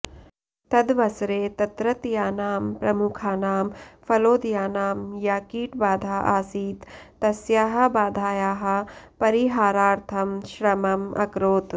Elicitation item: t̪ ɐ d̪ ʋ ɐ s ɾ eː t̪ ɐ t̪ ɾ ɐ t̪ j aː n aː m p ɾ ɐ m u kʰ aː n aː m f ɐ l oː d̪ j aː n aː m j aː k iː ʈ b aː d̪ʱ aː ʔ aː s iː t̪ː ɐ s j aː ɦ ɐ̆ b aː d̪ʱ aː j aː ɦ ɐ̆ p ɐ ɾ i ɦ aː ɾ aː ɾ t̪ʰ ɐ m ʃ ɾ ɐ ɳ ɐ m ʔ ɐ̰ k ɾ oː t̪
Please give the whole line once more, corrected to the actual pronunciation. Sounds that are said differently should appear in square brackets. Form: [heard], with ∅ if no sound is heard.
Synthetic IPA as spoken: t̪ ɐ d̪ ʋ ɐ s ɾ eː t̪ ɐ t̪ ɾ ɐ t̪ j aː n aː m p ɾ ɐ m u kʰ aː n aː m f ɐ l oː d̪ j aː n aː m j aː k iː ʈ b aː d̪ʱ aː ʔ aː s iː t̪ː ɐ s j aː ɦ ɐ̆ b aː d̪ʱ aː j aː ɦ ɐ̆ p ɐ ɾ i ɦ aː ɾ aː ɾ t̪ʰ ɐ m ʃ ɾ ɐ [m] ɐ m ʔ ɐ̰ k ɾ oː t̪